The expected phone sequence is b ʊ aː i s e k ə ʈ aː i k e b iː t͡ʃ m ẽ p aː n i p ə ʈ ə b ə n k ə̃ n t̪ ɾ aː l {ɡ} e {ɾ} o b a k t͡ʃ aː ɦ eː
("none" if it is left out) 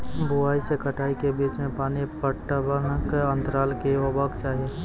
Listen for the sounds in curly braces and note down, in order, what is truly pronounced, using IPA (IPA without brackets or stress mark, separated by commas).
k, none